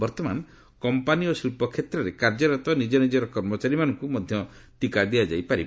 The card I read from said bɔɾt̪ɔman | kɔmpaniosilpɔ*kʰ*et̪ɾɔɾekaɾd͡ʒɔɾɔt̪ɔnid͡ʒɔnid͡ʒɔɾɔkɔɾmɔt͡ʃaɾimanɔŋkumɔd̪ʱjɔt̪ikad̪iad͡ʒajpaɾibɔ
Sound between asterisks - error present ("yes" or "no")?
no